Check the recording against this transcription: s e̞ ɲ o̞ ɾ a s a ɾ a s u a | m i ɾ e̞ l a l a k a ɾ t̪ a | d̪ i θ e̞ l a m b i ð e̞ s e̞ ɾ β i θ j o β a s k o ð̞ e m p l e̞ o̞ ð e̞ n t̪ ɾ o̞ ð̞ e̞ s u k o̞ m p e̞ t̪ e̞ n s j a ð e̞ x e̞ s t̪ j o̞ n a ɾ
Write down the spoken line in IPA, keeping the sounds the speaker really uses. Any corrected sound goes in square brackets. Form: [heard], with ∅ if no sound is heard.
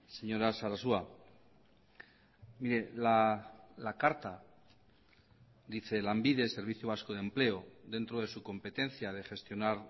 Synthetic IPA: s e̞ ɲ o̞ ɾ a s a ɾ a s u a | m i ɾ e̞ l a l a k a ɾ t̪ a | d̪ i θ e̞ l a m b i ð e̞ s e̞ ɾ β i θ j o β a s k o ð̞ e m p l e̞ o̞ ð e̞ n t̪ ɾ o̞ ð̞ e̞ s u k o̞ m p e̞ t̪ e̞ n [θ] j a ð e̞ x e̞ s t̪ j o̞ n a ɾ